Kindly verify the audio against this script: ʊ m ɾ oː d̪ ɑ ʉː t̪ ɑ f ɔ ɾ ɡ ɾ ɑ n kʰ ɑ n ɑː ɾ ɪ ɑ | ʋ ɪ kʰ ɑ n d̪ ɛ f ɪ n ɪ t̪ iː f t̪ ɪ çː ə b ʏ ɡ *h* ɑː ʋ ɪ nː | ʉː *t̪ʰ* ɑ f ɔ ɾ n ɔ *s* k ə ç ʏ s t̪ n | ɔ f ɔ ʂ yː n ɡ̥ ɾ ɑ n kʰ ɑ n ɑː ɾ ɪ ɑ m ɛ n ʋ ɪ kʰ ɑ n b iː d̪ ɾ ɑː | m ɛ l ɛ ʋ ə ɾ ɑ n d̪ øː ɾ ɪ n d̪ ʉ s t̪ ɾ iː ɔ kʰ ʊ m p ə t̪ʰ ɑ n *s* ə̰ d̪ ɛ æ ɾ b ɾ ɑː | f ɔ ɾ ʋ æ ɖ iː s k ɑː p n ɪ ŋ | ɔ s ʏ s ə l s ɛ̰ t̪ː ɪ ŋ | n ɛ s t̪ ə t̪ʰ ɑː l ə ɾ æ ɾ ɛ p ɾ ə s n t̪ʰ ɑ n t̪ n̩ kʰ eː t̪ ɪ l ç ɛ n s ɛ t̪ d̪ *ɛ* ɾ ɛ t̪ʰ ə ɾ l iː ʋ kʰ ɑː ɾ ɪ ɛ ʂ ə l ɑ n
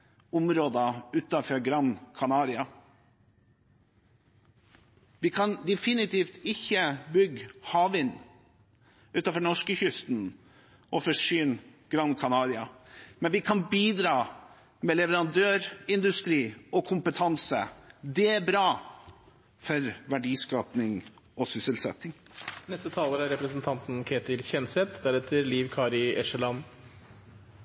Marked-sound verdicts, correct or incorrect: correct, incorrect, incorrect, correct, incorrect

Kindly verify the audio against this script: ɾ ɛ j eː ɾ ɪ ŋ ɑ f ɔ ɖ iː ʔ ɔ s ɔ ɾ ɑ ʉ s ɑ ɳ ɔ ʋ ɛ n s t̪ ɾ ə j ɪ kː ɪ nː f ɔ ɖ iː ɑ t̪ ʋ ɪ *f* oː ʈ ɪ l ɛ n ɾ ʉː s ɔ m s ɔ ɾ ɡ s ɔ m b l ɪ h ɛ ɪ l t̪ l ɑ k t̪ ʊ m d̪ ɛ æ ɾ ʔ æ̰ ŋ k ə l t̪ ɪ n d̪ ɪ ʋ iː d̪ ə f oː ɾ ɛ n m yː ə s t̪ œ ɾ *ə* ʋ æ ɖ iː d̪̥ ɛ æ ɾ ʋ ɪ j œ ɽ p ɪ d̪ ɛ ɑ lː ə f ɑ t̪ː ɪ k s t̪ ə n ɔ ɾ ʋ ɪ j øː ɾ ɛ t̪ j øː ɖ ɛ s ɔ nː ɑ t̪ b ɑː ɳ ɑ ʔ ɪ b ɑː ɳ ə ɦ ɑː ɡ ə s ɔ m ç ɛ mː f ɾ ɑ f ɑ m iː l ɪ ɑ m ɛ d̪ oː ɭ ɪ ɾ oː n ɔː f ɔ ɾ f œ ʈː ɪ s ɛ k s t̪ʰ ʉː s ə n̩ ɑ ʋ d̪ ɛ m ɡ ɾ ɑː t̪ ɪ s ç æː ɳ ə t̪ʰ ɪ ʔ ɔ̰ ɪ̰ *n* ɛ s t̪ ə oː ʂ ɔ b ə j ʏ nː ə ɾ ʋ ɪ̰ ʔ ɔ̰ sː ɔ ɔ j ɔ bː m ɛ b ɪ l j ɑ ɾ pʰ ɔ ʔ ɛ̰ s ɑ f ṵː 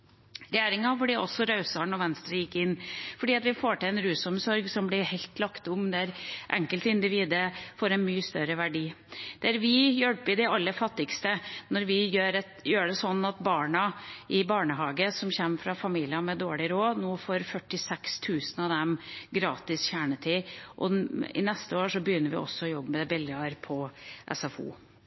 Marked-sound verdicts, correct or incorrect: correct, correct, correct

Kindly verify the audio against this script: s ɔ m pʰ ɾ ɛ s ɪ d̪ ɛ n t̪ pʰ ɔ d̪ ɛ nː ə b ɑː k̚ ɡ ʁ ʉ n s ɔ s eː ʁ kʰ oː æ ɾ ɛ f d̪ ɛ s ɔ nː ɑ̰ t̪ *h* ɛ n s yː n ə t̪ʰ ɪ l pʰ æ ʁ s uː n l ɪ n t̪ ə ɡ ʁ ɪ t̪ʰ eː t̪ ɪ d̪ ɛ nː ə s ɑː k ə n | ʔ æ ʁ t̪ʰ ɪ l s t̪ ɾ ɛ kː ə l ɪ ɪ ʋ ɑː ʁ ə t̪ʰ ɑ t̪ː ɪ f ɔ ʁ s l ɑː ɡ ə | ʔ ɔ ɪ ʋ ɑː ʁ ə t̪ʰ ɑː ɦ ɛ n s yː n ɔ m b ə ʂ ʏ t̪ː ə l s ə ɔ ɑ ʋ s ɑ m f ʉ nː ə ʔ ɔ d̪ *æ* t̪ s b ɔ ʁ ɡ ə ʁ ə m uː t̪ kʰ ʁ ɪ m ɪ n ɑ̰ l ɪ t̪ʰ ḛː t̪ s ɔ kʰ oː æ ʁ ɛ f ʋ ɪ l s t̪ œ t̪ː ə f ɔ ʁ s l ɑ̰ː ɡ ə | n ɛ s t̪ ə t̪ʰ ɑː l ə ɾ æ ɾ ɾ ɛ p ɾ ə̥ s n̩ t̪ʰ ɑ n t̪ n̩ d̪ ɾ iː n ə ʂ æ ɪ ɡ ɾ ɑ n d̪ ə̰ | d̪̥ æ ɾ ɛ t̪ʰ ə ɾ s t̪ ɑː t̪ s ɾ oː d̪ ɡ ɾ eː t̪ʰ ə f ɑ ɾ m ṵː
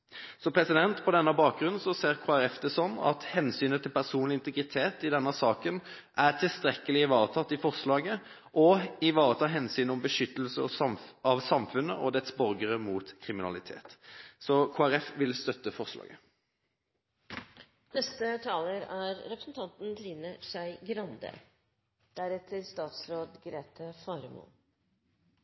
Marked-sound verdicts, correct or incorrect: correct, incorrect

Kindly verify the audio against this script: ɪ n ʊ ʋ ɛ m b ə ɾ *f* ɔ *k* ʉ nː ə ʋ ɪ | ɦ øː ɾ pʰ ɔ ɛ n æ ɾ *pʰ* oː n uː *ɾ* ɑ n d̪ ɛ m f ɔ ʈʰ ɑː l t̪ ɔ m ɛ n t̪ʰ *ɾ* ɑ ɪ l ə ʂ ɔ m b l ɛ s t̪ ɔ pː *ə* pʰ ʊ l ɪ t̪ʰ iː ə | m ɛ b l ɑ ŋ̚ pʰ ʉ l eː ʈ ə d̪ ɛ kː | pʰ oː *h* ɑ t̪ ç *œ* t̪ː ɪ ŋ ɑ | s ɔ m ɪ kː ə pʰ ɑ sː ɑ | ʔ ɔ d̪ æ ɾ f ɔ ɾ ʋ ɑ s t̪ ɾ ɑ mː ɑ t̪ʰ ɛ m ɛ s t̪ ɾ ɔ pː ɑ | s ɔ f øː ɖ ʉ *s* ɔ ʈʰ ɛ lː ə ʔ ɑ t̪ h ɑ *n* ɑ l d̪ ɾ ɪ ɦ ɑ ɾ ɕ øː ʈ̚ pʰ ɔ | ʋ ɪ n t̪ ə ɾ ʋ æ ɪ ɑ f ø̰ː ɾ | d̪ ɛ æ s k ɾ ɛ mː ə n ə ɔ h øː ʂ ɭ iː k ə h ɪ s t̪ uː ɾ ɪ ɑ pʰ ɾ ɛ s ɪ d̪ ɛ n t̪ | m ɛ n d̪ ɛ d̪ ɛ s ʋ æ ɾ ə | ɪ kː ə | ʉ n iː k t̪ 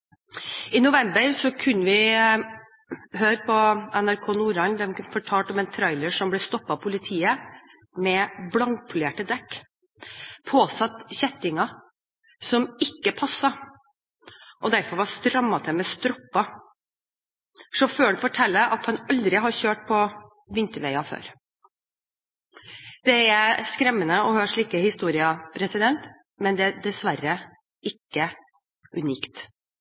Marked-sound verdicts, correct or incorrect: incorrect, incorrect, incorrect, correct, correct, incorrect, incorrect, incorrect, incorrect, correct

